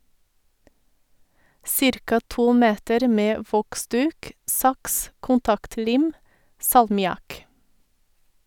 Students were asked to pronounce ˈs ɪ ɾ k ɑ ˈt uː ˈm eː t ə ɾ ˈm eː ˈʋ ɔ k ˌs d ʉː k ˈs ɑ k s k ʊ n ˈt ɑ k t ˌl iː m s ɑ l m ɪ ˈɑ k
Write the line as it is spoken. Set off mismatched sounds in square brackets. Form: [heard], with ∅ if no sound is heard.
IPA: ˈs ɪ ɾ k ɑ ˈt uː ˈm eː t ə ɾ ˈm eː ˈʋ ɔ k ˌs d ʉː k ˈs ɑ k s k ʊ n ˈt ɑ k t ˌl iː m s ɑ l m ɪ ˈɑ k